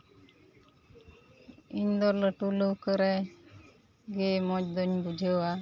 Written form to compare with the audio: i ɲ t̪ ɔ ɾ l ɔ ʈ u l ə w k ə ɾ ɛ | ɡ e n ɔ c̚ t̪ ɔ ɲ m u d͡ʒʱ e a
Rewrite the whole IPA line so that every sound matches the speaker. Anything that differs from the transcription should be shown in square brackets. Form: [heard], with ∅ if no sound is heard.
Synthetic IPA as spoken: i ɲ [d̪] ɔ ɾ l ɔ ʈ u l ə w k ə ɾ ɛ | ɡ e [m] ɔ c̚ [d̪] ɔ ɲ [b] u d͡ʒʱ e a